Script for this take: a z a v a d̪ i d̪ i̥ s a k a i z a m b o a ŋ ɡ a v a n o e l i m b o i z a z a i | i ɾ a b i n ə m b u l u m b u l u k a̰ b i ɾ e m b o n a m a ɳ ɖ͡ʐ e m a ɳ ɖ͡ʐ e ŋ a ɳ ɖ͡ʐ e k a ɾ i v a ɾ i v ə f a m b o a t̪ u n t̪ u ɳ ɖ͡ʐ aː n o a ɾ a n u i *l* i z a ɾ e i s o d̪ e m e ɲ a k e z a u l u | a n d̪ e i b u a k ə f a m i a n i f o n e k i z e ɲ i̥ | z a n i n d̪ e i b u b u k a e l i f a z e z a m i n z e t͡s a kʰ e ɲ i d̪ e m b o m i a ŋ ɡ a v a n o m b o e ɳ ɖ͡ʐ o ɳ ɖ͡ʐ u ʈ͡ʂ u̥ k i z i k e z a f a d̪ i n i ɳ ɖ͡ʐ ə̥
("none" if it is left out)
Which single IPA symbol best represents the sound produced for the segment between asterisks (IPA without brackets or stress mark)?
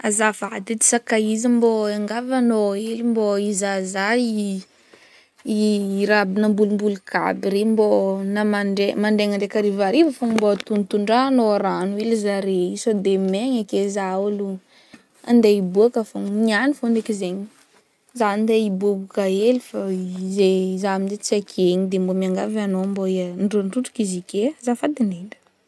l